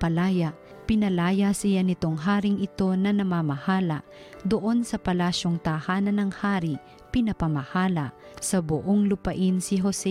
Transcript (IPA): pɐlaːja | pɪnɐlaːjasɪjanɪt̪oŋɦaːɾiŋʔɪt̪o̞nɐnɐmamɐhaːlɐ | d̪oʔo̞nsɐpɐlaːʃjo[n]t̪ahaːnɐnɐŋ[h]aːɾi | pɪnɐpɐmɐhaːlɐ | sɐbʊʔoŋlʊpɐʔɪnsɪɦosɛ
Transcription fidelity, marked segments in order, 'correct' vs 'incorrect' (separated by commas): incorrect, correct